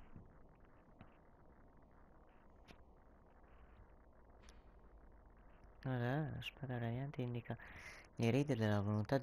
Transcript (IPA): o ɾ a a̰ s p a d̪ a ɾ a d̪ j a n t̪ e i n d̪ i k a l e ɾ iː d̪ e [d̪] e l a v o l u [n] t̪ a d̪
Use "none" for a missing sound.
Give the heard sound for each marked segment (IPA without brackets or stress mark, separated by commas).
d̪, n